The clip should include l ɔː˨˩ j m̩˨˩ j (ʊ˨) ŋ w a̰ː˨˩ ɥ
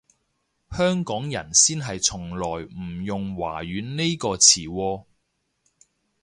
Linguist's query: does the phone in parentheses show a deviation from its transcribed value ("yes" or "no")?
no